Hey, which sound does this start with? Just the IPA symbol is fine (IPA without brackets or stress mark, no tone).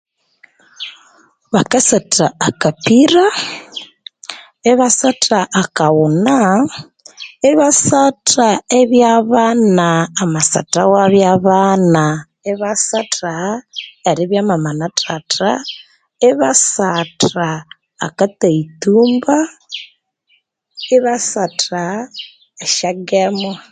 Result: β